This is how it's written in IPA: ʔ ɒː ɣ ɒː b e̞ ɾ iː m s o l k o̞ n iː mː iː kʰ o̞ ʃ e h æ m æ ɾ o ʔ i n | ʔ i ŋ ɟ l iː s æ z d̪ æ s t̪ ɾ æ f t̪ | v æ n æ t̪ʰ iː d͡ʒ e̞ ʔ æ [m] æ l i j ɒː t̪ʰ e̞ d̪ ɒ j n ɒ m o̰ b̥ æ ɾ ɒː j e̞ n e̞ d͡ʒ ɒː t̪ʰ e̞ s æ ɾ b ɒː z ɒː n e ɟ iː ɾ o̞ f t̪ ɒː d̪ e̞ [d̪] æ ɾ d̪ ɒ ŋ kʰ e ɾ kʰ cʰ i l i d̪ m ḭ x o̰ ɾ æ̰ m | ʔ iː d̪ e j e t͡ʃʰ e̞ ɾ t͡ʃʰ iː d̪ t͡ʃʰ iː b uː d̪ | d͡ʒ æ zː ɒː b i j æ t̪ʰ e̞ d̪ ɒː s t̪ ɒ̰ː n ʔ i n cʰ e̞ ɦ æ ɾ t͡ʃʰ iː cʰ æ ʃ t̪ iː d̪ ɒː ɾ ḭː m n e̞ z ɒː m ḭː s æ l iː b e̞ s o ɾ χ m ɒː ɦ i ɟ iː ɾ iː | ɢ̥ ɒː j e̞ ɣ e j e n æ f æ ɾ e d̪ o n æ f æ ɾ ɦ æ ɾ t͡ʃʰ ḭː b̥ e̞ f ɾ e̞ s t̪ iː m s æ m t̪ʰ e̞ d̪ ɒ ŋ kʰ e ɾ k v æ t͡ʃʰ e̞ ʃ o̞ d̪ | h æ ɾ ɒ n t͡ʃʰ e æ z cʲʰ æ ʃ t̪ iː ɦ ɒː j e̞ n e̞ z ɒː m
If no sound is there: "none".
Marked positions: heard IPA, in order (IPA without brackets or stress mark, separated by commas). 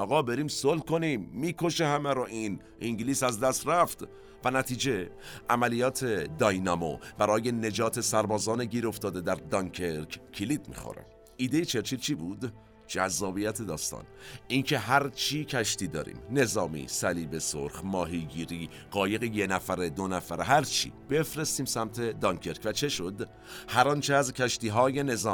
m, d̪